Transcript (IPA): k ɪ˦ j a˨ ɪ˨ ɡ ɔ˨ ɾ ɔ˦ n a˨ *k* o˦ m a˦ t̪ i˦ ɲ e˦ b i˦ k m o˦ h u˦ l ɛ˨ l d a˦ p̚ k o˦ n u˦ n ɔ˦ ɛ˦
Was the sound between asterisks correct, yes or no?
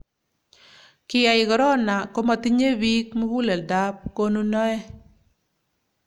yes